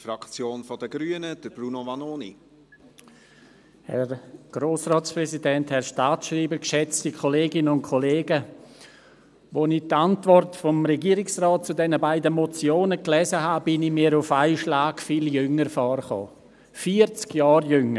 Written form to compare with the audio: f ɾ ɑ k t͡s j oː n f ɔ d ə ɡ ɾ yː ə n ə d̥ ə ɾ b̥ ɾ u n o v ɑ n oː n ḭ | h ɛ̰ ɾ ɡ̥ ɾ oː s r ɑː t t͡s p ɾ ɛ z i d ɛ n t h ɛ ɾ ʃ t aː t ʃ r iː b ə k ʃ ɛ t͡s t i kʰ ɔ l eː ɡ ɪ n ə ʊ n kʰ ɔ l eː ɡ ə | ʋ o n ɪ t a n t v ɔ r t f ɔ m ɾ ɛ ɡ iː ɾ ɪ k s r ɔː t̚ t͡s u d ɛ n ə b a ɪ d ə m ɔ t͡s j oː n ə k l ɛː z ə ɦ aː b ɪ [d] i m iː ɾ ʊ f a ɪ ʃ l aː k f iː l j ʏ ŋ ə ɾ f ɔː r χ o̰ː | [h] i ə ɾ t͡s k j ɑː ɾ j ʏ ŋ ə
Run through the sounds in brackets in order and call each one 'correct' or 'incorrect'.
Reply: incorrect: n, incorrect: f

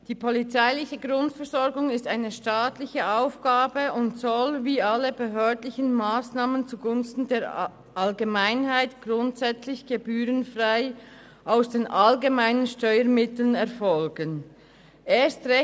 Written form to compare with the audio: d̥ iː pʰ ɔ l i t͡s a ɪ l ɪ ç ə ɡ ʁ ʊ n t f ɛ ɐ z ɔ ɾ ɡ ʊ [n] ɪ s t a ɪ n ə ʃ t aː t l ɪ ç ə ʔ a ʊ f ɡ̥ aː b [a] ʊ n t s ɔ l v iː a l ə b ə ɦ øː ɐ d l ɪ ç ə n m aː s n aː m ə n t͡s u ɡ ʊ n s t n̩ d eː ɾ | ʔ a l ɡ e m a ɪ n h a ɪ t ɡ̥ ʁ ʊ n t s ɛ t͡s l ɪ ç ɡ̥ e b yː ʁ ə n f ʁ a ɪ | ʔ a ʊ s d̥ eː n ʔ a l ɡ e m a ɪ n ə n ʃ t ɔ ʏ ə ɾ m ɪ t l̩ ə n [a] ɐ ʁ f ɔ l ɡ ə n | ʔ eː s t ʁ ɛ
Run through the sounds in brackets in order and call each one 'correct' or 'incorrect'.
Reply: incorrect: ŋ, incorrect: ə, incorrect: ɛ

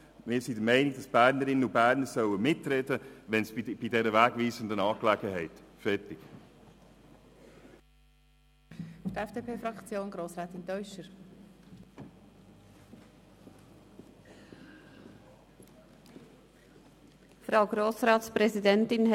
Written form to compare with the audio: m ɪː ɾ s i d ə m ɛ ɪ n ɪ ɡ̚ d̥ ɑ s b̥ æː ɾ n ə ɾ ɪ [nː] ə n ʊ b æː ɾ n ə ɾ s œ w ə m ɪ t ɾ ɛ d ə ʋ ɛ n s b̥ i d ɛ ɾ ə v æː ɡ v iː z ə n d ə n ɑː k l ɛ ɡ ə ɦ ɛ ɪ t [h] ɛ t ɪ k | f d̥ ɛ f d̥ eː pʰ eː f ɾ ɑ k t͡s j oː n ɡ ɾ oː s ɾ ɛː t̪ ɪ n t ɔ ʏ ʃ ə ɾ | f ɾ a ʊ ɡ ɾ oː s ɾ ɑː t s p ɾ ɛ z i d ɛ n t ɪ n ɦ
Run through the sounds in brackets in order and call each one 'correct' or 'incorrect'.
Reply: incorrect: n, incorrect: f

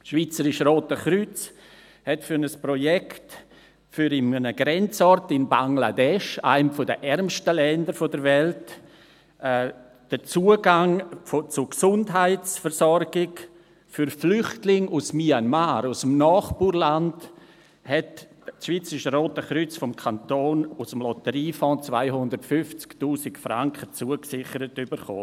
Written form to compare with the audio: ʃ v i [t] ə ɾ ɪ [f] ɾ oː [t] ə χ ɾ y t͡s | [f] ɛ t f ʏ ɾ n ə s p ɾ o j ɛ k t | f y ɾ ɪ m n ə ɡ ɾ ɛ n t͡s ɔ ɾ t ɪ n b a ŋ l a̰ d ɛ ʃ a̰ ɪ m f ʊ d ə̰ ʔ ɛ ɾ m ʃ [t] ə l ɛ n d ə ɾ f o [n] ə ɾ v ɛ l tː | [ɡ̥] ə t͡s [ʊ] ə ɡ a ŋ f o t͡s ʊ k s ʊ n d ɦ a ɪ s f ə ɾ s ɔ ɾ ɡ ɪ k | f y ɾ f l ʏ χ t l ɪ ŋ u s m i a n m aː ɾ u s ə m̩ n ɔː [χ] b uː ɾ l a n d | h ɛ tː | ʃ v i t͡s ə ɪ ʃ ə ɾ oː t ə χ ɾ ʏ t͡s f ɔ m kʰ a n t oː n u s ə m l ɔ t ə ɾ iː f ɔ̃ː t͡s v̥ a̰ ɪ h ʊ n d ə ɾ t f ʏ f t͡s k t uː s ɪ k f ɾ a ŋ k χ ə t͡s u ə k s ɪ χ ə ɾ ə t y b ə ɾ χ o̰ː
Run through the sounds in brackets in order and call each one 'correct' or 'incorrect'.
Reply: incorrect: t͡s, incorrect: ʃ, correct, incorrect: h, correct, incorrect: d, incorrect: d̥, incorrect: u, correct

